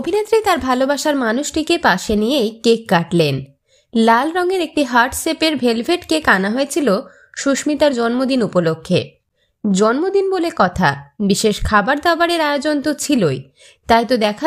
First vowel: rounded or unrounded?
rounded